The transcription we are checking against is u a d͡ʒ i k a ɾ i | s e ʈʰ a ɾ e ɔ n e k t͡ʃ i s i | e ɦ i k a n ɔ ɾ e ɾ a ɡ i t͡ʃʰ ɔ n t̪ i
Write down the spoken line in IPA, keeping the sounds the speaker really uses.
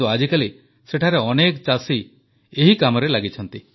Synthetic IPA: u a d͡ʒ i k a l i | s e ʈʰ a ɾ e ɔ n e k t͡ʃ a s i | e ɦ i k a m ɔ ɾ e l a ɡ i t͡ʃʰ ɔ n t̪ i